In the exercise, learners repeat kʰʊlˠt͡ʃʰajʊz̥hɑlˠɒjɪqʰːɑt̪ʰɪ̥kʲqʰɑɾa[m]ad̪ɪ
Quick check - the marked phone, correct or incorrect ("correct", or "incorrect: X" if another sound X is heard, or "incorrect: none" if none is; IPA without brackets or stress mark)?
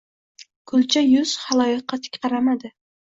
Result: correct